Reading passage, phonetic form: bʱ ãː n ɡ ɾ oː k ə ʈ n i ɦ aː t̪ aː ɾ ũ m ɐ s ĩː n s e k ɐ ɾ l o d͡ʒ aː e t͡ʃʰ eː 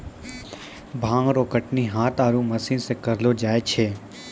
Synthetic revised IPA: bʱ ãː ŋ ɡ ɾ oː k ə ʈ n i ɦ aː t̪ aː ɾ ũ m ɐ s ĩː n s e k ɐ ɾ l o d͡ʒ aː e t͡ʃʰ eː